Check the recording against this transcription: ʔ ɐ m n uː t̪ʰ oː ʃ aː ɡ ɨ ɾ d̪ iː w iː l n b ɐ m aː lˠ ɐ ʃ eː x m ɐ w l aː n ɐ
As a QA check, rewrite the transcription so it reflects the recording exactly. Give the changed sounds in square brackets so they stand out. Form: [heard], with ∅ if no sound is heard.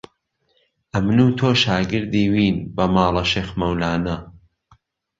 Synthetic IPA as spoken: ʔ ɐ m n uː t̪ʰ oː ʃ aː ɡ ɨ ɾ d̪ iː w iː [∅] n b ɐ m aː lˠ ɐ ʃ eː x m ɐ w l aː n ɐ